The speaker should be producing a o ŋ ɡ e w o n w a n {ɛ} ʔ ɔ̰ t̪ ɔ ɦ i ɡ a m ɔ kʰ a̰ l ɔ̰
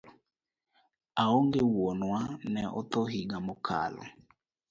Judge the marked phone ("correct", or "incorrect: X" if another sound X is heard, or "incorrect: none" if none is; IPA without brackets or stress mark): correct